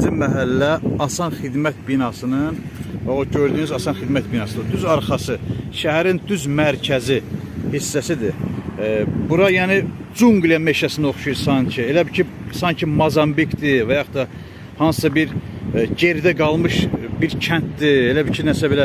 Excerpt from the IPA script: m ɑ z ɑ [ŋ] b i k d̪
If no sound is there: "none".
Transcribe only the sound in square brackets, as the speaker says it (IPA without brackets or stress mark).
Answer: m